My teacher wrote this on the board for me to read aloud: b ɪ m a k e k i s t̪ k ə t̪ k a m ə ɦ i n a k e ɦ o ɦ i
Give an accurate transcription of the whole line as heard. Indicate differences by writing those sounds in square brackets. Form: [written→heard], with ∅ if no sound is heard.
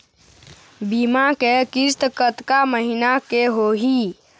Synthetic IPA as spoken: b [ɪ→i] m a k e k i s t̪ k ə t̪ k a m ə ɦ i n a k e ɦ o ɦ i

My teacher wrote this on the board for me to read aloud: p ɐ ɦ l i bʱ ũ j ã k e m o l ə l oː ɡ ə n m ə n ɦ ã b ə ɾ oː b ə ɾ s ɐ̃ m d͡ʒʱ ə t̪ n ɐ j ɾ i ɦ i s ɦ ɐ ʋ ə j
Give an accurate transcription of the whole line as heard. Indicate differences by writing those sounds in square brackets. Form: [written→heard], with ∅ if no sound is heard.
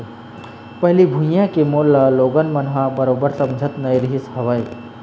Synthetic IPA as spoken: p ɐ ɦ l i bʱ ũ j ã k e m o l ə l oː ɡ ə n m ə n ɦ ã b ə ɾ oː b ə ɾ s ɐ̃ m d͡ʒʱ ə t̪ n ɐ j ɾ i ɦ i s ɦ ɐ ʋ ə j

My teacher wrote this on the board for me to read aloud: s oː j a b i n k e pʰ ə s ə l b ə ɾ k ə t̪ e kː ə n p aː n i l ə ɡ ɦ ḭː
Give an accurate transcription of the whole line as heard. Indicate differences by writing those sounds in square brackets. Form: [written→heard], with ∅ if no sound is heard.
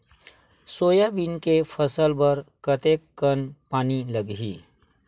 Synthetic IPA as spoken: s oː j a b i n k e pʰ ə s ə l b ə ɾ k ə t̪ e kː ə n p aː n i l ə ɡ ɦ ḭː

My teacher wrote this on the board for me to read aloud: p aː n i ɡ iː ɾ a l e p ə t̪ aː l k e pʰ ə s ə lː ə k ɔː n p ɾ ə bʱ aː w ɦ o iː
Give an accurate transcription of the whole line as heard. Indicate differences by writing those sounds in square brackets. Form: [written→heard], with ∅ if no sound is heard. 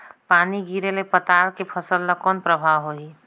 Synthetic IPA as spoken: p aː n i ɡ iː ɾ [a→e] l e p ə t̪ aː l k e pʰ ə s ə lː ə k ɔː n p ɾ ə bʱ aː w ɦ o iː

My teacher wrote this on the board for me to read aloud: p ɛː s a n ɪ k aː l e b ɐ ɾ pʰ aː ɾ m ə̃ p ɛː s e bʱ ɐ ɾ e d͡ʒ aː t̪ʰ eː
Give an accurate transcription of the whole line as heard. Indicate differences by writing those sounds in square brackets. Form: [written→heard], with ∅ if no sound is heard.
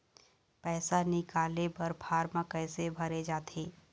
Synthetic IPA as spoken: p ɛː s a n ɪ k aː l e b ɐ ɾ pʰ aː ɾ m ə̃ [p→k] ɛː s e bʱ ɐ ɾ e d͡ʒ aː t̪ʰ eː

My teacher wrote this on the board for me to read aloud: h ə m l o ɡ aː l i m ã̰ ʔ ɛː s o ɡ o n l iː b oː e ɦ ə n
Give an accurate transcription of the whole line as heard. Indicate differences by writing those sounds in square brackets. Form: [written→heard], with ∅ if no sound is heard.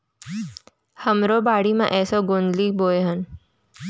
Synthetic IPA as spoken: h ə m [l→ɾ] o [ɡ→b] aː [l→ɽ] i m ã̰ ʔ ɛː s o ɡ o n l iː b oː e ɦ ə n

